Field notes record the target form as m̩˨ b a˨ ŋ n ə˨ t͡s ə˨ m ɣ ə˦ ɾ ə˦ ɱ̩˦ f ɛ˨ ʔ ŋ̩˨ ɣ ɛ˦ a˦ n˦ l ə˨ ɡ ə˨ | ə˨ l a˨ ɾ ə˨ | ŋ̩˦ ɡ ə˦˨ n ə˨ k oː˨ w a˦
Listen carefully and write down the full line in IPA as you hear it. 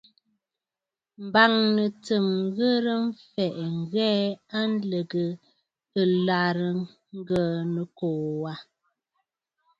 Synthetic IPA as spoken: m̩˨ b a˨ ŋ n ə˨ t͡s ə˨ m ɣ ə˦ ɾ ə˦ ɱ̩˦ f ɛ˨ ʔ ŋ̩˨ ɣ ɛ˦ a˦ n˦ l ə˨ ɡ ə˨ | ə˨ l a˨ ɾ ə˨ | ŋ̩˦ ɡ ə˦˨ n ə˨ k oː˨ w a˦